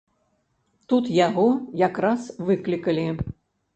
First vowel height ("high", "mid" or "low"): high